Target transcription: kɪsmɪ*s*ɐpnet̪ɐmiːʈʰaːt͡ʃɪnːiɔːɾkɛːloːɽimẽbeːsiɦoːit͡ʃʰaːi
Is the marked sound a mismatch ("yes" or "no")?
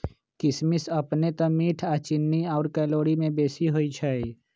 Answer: no